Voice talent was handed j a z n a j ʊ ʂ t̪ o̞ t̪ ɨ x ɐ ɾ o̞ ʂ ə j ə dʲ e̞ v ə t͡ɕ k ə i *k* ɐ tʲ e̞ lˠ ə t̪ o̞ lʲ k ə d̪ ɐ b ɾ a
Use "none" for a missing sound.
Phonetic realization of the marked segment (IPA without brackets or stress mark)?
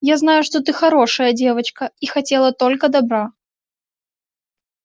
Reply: x